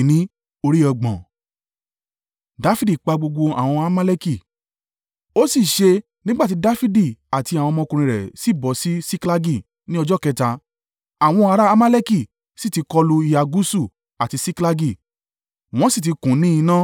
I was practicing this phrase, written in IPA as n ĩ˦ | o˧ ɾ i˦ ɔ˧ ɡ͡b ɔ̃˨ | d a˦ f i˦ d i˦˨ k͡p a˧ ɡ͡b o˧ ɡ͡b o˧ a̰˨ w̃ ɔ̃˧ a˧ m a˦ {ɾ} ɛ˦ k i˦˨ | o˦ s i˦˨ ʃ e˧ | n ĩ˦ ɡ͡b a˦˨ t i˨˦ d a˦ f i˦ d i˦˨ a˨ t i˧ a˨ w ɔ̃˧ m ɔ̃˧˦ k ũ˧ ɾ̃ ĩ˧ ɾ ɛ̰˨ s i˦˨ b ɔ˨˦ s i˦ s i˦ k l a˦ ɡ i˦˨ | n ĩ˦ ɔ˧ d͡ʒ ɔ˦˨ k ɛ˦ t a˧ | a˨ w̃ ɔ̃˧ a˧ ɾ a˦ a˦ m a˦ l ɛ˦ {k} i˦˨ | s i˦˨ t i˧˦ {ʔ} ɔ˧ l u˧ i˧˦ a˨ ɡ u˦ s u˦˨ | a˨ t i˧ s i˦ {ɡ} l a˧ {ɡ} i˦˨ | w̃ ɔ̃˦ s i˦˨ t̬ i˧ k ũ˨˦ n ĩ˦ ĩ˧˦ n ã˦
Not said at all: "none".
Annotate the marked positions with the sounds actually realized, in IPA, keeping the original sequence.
l, k, k, k, ɡ

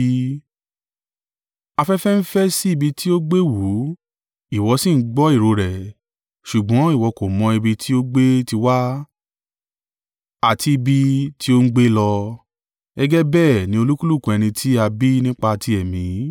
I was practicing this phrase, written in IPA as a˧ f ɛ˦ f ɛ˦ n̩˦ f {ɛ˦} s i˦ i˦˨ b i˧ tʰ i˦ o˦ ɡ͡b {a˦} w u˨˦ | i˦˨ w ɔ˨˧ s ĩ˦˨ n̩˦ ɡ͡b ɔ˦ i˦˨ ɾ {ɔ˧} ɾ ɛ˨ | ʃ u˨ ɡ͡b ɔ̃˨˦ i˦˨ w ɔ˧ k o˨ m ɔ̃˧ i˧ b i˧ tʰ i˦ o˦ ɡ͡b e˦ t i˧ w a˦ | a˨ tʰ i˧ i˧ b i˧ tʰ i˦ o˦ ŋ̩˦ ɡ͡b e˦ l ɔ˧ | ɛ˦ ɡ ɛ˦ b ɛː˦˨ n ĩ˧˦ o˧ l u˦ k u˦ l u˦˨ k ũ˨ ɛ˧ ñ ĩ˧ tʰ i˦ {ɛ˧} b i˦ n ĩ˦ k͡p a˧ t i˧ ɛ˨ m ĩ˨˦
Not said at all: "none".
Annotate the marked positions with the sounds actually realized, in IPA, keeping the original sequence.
ɛ˦, e˦, o˧, a˧

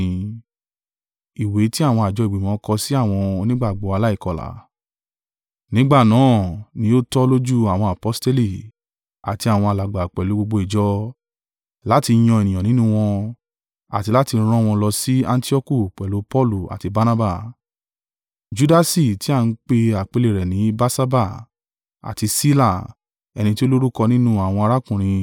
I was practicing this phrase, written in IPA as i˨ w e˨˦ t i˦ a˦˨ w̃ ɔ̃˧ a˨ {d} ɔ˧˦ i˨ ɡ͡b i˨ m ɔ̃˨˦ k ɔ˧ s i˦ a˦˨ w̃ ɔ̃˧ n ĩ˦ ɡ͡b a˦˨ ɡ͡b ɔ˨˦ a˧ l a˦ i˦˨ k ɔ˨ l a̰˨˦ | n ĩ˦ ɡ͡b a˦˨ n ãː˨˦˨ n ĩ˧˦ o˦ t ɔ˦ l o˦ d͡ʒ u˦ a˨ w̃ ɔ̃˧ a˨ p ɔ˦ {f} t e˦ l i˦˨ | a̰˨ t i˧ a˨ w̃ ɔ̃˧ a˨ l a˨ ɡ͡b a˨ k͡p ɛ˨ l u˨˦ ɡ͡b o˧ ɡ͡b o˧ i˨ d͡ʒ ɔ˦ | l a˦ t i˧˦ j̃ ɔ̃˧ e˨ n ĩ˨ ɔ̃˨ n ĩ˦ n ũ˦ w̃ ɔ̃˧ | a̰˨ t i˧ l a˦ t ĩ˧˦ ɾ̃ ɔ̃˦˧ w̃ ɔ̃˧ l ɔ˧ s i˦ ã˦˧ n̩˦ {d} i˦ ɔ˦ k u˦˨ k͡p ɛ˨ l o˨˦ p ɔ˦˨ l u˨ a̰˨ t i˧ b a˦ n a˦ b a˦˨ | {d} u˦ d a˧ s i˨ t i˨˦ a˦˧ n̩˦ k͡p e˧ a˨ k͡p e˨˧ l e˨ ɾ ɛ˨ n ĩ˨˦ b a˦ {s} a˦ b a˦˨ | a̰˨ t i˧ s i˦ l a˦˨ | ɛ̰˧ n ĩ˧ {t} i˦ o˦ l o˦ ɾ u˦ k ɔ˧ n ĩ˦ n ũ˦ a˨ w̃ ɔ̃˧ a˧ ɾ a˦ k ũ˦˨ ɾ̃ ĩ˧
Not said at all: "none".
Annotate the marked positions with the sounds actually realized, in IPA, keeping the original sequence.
d͡ʒ, s, t, d͡ʒ, s, t

